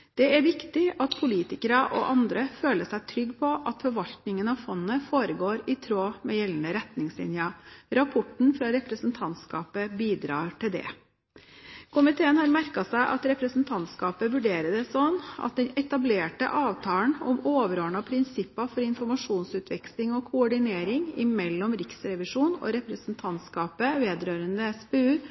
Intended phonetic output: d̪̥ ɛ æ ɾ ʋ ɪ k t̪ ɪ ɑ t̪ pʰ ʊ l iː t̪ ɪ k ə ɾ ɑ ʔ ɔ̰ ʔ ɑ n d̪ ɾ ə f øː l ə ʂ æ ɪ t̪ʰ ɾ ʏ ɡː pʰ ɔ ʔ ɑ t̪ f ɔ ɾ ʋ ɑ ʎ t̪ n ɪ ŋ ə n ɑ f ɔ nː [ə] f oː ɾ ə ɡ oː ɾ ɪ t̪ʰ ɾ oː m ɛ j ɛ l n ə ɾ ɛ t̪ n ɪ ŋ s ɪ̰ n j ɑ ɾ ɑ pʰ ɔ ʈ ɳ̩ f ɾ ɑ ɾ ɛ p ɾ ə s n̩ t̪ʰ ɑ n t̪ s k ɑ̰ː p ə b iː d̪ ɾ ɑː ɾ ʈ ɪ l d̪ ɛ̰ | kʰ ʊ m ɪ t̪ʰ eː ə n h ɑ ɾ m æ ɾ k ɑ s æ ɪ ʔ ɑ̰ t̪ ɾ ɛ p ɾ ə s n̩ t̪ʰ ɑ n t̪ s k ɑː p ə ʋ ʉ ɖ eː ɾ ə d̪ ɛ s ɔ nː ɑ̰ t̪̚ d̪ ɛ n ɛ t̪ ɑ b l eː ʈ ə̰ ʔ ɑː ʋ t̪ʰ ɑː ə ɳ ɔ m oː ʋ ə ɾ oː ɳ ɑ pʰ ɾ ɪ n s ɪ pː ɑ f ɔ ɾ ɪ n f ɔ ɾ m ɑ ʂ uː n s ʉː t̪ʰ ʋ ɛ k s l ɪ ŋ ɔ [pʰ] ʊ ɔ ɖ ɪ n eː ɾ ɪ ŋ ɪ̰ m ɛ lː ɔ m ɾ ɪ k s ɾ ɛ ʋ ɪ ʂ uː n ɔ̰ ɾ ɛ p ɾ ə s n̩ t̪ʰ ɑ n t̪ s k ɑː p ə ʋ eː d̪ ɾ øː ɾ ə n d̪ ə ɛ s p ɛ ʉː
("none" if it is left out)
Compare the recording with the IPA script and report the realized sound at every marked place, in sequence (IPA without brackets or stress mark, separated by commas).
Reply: ə, kʰ